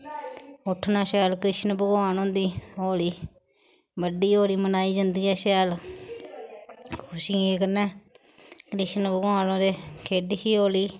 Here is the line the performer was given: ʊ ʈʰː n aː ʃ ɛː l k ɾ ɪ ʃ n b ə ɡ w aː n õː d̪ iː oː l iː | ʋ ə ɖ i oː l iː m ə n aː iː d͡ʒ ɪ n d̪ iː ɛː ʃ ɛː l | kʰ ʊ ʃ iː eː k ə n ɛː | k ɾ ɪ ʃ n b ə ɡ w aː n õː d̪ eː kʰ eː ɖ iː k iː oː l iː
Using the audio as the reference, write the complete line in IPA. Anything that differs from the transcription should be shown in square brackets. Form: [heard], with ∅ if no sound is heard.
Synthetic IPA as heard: ʊ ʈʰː n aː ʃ ɛː l k ɾ ɪ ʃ n b ə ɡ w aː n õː d̪ iː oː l iː | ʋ ə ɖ [iː] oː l iː m ə n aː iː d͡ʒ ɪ n d̪ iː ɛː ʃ ɛː l | kʰ ʊ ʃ iː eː k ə n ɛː | k ɾ ɪ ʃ n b ə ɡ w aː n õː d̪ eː kʰ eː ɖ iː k iː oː l iː